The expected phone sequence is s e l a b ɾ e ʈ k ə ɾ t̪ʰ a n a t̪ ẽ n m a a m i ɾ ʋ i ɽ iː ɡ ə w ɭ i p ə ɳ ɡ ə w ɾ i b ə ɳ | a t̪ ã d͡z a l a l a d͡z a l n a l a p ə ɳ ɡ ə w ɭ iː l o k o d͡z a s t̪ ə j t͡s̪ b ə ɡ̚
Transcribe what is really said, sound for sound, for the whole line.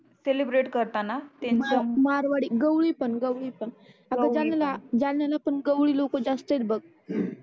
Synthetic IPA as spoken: s e l i b ɾ e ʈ k ə ɾ t̪ a n a t̪ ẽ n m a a m a ɾ ʋ a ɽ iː ɡ ə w ɭ i p ə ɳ ɡ ə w ɭ i p ə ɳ | a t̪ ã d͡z a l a l a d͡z a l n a l a p ə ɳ ɡ ə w ɭ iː l o k o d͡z a s t̪ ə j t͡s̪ b ə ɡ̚